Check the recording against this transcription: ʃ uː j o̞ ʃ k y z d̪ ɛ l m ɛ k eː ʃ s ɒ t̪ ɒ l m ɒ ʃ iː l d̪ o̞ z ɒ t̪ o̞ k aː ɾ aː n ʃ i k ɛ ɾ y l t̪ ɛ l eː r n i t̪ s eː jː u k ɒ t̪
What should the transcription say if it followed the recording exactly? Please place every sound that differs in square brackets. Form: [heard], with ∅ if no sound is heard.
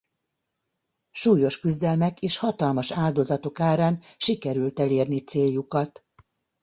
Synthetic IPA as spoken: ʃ uː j o̞ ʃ k y z d̪ ɛ l m ɛ k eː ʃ [h] ɒ t̪ ɒ l m ɒ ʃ [aː] l d̪ o̞ z ɒ t̪ o̞ k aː ɾ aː n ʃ i k ɛ ɾ y l t̪ ɛ l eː r n i t̪ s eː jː u k ɒ t̪